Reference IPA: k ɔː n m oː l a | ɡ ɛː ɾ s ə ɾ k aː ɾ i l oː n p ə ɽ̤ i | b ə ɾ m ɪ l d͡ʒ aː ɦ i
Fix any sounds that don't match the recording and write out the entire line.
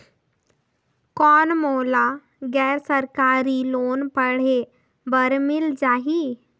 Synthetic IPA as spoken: k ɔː n m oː l a | ɡ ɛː ɾ s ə ɾ k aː ɾ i l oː n p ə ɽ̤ e | b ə ɾ m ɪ l d͡ʒ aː ɦ i